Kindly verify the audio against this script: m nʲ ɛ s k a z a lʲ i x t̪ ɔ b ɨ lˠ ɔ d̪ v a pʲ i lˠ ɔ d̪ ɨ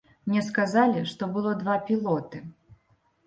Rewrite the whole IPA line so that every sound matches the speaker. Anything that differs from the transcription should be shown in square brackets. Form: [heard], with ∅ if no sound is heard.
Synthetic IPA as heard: m nʲ ɛ s k a z a lʲ i [ʂ] t̪ ɔ b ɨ lˠ ɔ d̪ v a pʲ i lˠ ɔ [t̪] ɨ